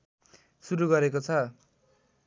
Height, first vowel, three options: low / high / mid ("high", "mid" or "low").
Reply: high